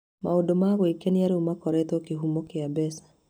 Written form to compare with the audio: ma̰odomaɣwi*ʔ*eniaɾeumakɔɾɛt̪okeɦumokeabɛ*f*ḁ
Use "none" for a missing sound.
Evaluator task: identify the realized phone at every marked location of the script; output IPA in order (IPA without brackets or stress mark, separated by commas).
k, s